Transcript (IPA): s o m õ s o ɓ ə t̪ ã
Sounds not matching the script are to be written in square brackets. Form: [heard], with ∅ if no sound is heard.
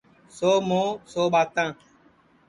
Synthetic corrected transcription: s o m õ s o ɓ [a] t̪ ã